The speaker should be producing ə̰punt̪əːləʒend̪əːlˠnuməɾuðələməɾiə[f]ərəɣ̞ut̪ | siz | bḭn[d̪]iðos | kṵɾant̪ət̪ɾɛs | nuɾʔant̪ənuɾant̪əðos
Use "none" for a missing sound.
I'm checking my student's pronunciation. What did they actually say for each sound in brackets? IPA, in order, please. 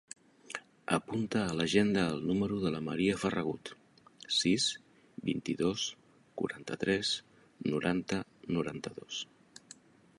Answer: f, t̪

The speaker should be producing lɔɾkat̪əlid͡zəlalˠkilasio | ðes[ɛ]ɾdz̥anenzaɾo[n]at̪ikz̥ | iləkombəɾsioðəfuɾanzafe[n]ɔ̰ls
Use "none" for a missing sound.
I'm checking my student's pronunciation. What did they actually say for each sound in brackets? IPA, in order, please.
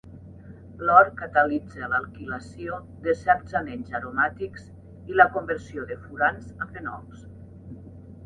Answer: ɛ, m, n

